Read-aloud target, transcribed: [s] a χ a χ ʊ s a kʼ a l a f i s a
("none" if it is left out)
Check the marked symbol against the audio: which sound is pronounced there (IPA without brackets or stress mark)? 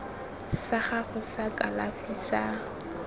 s